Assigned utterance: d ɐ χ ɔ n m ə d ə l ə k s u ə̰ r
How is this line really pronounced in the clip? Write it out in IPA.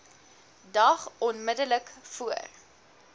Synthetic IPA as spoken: d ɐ χ ɔ n m ə d ə l ə k f u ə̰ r